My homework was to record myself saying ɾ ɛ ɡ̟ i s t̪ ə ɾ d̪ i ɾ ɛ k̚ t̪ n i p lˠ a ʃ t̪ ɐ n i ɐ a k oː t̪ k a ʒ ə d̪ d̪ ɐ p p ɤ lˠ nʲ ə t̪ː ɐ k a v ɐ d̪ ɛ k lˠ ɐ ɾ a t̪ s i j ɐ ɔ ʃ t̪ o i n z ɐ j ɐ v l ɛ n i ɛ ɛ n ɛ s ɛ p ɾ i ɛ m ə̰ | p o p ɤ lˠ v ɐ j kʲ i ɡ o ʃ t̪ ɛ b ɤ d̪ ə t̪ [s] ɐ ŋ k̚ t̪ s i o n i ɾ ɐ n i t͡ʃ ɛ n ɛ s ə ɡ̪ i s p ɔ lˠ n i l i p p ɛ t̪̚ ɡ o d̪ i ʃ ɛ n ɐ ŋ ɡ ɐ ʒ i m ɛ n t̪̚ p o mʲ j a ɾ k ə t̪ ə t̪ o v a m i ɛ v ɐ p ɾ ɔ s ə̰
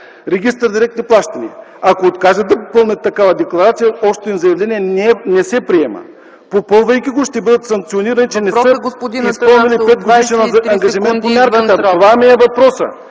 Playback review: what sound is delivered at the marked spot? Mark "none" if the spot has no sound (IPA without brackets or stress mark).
s